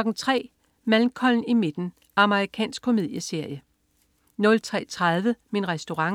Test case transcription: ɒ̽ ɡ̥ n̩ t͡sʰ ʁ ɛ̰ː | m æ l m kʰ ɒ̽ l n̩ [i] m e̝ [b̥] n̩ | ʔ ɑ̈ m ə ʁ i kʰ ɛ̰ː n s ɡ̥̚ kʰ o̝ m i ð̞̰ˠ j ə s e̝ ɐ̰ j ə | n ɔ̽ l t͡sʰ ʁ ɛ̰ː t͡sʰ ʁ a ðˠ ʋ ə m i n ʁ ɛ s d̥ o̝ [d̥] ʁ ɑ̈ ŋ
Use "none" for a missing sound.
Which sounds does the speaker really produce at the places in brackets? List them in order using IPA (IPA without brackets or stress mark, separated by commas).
i, d̥, none